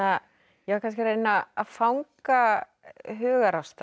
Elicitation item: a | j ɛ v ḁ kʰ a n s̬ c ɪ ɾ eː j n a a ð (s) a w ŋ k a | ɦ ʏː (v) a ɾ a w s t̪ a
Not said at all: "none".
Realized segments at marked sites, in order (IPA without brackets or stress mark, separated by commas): f, ɣ